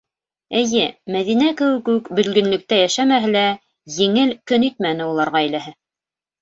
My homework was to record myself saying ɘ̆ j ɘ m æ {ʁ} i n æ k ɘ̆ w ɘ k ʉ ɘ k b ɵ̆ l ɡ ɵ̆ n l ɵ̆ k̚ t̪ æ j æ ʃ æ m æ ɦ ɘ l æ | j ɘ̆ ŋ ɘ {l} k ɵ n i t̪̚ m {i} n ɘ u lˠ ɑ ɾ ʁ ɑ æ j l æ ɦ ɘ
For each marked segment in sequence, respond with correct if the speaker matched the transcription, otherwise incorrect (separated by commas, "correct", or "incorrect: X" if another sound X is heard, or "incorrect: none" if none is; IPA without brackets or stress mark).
incorrect: ð, correct, incorrect: æ